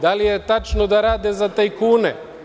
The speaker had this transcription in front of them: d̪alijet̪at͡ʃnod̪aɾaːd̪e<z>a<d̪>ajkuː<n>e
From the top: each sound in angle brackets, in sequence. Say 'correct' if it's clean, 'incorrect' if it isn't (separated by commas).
correct, incorrect, correct